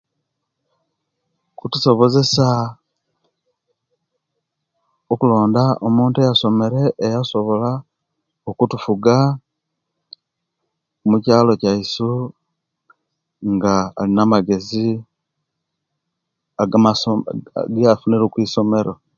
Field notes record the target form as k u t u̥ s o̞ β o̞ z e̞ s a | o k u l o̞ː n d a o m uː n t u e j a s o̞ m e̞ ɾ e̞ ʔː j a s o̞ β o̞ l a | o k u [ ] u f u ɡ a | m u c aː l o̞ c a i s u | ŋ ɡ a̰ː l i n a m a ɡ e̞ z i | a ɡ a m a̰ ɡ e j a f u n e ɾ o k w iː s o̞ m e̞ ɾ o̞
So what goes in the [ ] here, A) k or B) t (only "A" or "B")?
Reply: B